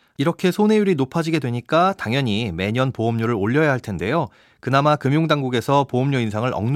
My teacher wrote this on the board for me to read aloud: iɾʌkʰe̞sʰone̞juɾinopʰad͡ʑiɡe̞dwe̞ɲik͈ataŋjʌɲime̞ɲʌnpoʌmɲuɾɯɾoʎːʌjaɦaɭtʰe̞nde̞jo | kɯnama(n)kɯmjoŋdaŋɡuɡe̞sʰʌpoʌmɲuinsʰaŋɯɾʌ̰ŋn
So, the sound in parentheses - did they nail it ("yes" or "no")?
no